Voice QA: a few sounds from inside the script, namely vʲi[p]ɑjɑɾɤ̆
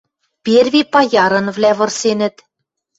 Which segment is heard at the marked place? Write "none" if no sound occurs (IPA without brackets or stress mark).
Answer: p